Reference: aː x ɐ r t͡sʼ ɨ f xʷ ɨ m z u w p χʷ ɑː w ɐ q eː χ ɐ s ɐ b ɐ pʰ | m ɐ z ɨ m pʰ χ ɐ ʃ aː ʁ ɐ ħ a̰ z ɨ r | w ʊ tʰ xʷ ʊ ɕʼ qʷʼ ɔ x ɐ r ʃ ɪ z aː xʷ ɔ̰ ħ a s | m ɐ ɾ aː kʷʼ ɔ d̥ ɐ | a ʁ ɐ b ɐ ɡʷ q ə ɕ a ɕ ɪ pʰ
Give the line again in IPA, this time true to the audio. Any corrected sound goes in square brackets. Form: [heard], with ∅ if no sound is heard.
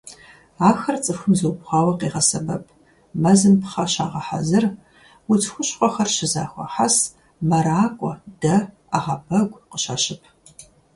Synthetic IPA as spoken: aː x ɐ r t͡sʼ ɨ f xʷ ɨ m z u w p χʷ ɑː w ɐ q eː [ʁ] ɐ s ɐ b ɐ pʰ | m ɐ z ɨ m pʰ χ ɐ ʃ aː ʁ ɐ ħ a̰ z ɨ r | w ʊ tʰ xʷ ʊ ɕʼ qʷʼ ɔ x ɐ r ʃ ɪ z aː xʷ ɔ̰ ħ a s | m ɐ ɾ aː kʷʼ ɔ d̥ ɐ | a ʁ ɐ b ɐ ɡʷ q ə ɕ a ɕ ɪ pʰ

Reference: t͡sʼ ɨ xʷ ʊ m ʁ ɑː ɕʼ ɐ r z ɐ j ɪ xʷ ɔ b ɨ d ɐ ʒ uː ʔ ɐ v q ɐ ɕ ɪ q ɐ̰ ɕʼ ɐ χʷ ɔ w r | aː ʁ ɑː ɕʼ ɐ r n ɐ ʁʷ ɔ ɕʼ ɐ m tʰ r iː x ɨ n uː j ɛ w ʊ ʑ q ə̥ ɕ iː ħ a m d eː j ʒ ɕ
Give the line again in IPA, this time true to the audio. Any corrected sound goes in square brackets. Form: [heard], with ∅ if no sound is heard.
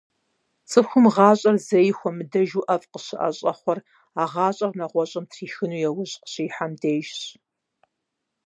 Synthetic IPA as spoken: t͡sʼ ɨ xʷ ʊ m ʁ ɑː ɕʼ ɐ r z ɐ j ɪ xʷ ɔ [m] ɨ d ɐ ʒ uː ʔ ɐ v q [ə] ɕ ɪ [ʔ] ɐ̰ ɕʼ ɐ χʷ ɔ [∅] r | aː ʁ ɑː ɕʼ ɐ r n ɐ ʁʷ ɔ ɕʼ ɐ m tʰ r iː x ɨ n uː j ɛ w ʊ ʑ q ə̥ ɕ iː ħ a m d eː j ʒ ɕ

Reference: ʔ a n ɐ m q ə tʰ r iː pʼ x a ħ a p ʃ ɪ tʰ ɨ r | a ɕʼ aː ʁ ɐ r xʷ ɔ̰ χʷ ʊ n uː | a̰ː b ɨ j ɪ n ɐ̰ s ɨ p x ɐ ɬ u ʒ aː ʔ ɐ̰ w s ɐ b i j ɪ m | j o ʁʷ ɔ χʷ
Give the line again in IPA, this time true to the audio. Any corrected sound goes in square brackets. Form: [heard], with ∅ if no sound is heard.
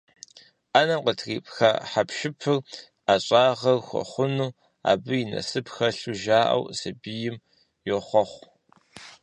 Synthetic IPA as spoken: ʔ a n ɐ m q ə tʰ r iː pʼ x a ħ a p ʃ ɪ [pʰ] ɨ r | a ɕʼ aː ʁ ɐ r xʷ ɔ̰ χʷ ʊ n uː | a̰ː b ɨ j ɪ n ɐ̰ s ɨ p x ɐ ɬ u ʒ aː ʔ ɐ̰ w s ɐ b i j ɪ m | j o [χʷ] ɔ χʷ

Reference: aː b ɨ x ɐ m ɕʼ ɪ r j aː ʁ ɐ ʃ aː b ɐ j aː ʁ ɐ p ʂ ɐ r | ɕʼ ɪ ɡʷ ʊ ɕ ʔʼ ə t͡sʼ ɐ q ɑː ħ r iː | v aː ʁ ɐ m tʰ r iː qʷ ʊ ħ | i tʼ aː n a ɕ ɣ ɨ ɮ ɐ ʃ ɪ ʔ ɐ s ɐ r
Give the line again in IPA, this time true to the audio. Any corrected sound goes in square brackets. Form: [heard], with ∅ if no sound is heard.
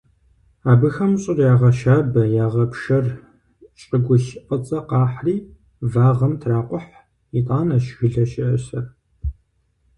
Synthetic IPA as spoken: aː b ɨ x ɐ m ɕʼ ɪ r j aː ʁ ɐ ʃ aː b ɐ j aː ʁ ɐ p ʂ ɐ r | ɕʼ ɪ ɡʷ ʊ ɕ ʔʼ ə t͡sʼ ɐ q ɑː ħ r iː | v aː ʁ ɐ m tʰ r [aː] qʷ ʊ ħ | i tʼ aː n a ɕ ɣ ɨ ɮ ɐ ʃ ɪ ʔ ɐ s ɐ r

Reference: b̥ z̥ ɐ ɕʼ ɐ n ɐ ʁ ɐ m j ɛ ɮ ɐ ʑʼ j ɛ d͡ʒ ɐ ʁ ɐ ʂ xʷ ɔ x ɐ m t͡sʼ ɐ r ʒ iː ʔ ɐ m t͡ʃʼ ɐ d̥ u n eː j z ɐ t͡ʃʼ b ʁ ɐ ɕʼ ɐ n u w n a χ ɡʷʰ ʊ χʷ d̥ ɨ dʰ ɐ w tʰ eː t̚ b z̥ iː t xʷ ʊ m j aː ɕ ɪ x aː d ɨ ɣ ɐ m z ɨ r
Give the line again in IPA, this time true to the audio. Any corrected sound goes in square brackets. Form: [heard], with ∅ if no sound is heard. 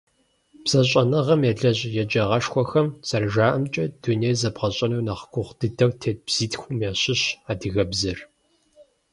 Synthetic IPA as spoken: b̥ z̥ ɐ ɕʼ ɐ n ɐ ʁ ɐ m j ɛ ɮ ɐ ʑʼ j ɛ d͡ʒ ɐ ʁ ɐ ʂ xʷ ɔ x ɐ m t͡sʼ ɐ r ʒ [aː] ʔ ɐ m t͡ʃʼ ɐ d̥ u n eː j z ɐ [∅] b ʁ ɐ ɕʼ ɐ n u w n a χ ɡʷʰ ʊ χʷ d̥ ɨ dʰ ɐ w tʰ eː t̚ b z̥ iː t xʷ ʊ m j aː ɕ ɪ [ɕ] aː d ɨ ɣ ɐ [b] z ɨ r

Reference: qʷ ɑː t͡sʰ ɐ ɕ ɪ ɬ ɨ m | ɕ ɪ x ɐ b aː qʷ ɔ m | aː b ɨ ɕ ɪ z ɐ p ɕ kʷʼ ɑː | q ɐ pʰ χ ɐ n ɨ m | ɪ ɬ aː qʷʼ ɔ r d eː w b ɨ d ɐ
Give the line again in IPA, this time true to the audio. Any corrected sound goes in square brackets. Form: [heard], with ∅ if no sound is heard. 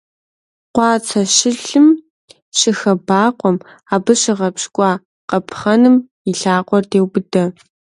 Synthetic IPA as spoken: qʷ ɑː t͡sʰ ɐ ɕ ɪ ɬ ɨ m | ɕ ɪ x ɐ b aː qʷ ɔ m | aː b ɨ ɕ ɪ [ʁ] ɐ p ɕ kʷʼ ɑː | q ɐ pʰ χ ɐ n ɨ m | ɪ ɬ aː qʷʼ ɔ r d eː w b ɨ d ɐ

